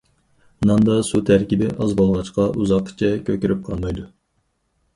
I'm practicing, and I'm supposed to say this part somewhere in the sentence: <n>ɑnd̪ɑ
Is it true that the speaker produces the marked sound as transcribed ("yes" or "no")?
yes